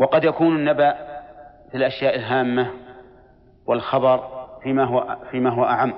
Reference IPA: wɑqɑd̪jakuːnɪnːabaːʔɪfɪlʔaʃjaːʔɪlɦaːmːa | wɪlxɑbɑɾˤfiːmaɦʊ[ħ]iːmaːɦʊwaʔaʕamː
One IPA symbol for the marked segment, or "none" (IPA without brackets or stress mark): f